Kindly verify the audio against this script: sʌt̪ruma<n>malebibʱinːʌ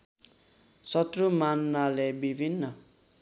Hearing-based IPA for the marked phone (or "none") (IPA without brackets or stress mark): n